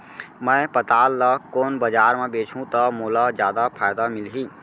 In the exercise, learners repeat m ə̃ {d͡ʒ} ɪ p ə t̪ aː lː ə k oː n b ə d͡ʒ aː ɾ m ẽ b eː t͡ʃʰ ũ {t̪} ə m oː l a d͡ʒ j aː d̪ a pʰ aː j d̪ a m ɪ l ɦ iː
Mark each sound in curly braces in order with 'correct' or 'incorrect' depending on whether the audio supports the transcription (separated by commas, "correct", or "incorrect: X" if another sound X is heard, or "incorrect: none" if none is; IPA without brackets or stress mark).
incorrect: none, correct